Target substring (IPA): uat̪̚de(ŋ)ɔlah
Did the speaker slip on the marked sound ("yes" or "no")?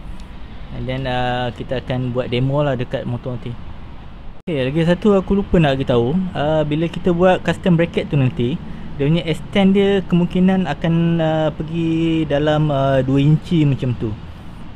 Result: yes